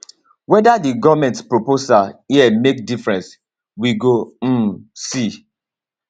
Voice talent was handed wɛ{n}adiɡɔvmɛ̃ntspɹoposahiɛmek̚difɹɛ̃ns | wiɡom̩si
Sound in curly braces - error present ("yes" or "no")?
yes